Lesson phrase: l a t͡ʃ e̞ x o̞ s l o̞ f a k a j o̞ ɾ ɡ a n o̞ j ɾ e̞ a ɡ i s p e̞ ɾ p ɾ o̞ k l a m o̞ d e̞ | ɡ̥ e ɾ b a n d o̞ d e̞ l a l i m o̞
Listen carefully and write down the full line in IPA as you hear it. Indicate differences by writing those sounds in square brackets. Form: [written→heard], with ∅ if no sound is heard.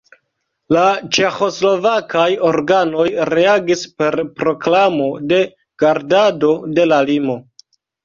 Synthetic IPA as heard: l a t͡ʃ e̞ x o̞ s l o̞ [f→v] a k a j o̞ ɾ ɡ a n o̞ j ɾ e̞ a ɡ i s p e̞ ɾ p ɾ o̞ k l a m o̞ d e̞ | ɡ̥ [e→a] ɾ [b→d] a [n→∅] d o̞ d e̞ l a l i m o̞